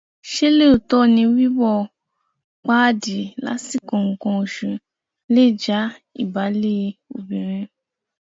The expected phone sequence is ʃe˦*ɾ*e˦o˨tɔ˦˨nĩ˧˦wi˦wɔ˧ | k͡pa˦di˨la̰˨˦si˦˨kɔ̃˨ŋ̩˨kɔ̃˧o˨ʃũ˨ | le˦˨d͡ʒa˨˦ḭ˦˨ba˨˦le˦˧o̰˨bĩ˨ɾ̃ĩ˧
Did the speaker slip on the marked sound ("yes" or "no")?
yes